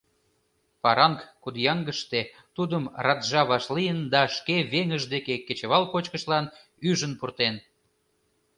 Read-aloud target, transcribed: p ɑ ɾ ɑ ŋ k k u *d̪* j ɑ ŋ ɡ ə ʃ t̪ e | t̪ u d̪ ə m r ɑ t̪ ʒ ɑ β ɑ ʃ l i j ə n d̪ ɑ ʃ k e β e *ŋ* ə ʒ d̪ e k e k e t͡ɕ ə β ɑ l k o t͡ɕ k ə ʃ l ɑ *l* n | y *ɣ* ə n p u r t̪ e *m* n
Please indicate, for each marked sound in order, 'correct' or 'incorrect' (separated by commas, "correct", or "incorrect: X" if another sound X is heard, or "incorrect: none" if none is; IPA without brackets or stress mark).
correct, correct, incorrect: none, incorrect: ʒ, incorrect: none